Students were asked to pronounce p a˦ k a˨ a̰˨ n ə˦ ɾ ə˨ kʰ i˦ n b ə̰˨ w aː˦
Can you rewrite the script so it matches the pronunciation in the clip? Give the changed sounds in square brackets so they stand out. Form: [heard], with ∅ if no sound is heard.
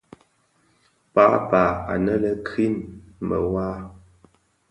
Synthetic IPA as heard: p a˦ [p] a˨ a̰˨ n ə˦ [l] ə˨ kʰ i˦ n [m] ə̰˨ w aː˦